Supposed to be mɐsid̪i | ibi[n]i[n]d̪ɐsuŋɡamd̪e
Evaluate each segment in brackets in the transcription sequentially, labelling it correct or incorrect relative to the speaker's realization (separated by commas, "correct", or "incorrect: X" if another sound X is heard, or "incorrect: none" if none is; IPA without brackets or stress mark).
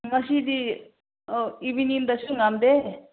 correct, correct